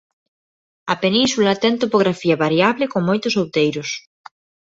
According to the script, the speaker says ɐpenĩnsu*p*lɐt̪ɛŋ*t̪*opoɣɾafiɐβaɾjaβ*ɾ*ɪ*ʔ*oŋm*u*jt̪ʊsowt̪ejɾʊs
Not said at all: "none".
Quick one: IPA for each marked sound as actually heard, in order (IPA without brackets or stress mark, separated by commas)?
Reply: none, t̪, l, k, o